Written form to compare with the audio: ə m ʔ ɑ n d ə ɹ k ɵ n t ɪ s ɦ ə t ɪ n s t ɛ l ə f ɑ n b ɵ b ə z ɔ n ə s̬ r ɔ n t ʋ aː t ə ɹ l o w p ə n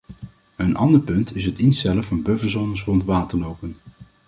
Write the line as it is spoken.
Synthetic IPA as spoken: ə n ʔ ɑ n d ə ɹ p ɵ n t ɪ s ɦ ə t ɪ n s t ɛ l ə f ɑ n b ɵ v ə z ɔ n ə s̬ r ɔ n t ʋ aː t ə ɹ l o w p ə n